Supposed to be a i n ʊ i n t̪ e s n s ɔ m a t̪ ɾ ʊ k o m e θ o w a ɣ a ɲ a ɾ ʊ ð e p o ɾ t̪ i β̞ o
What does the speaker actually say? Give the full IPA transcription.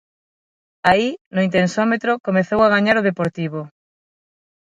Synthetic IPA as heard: a i n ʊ i n t̪ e n s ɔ m e t̪ ɾ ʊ k o m e θ o w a ɣ a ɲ a ɾ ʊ ð e p o ɾ t̪ i β̞ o